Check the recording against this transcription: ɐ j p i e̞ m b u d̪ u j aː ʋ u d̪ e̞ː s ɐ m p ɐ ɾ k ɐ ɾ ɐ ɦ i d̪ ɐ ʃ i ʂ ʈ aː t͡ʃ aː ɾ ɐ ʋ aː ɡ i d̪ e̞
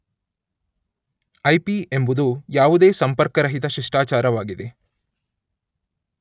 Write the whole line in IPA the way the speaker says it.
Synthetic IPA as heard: ɐ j p i e̞ m b u d̪ u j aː ʋ u d̪ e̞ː s ɐ m p ɐ ɾ k ɐ ɾ ɐ ɦ i t̪ ɐ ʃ i ʂ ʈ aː t͡ʃ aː ɾ ɐ ʋ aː ɡ i d̪ e̞

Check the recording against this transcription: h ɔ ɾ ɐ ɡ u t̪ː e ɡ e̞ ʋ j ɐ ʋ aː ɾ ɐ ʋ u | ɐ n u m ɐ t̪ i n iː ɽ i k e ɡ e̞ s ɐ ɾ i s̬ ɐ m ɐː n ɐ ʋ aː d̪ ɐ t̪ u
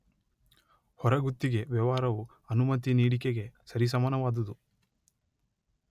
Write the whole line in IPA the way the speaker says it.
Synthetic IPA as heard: h ɔ ɾ ɐ ɡ u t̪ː i ɡ e̞ ʋ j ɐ ʋ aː ɾ ɐ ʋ u | ɐ n u m ɐ t̪ i n iː ɽ i k e ɡ e̞ s ɐ ɾ i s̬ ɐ m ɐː n ɐ ʋ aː d̪ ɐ d̪ u

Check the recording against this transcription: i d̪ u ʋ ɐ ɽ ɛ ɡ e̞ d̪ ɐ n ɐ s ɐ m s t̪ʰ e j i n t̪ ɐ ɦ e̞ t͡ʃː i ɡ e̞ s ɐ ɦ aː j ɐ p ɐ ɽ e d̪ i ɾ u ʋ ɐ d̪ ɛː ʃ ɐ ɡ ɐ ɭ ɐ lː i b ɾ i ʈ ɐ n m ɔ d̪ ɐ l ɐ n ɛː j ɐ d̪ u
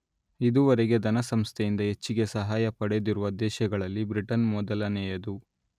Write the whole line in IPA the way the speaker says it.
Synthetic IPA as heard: i d̪ u ʋ ɐ ɾ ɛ ɡ e̞ d̪ ɐ n ɐ s ɐ m s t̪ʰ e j i n d̪ ɐ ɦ e̞ t͡ʃː i ɡ e̞ s ɐ ɦ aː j ɐ p ɐ ɽ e d̪ i ɾ u ʋ ɐ d̪ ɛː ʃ ɐ ɡ ɐ ɭ ɐ lː i b ɾ i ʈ ɐ n m ɔ d̪ ɐ l ɐ n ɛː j ɐ d̪ u

